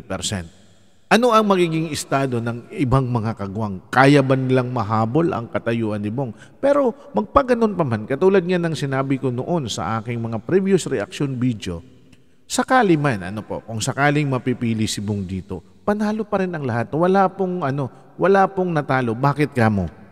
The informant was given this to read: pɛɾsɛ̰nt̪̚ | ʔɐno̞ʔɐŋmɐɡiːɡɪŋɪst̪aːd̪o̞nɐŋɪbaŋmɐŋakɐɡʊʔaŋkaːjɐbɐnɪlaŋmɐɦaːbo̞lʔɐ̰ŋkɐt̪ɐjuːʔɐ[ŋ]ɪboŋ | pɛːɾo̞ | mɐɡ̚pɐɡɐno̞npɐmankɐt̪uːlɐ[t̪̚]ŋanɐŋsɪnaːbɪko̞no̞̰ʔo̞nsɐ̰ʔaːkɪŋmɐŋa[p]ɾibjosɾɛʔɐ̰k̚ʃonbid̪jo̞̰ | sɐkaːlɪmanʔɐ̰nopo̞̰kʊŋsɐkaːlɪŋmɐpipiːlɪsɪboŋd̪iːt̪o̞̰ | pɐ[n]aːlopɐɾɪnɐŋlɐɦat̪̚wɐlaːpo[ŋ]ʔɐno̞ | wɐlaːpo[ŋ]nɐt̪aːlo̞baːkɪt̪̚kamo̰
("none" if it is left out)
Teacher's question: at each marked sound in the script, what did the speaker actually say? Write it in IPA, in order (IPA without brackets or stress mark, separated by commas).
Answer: n, d̪̚, p, n, ŋ, ŋ